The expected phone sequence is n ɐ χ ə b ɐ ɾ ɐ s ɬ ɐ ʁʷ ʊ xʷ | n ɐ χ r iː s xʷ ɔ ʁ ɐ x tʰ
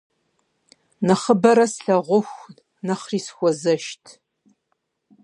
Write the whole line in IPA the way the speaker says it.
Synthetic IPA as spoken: n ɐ χ ə b ɐ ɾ ɐ s ɬ ɐ ʁʷ ʊ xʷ | n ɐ χ r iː s xʷ ɔ z ɐ ʃ tʰ